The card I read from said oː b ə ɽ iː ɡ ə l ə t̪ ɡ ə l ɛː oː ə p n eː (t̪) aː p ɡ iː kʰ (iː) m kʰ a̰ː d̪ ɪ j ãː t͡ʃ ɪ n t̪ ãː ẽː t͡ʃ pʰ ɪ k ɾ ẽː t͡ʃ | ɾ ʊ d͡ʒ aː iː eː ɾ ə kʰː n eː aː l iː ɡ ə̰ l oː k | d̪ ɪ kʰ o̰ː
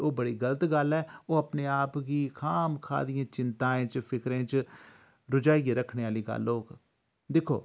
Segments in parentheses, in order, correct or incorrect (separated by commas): incorrect, incorrect